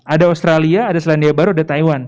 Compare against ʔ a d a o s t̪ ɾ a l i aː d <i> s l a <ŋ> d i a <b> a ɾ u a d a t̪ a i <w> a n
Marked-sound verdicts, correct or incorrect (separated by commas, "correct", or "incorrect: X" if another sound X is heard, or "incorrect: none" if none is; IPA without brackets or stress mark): incorrect: a, incorrect: n, correct, correct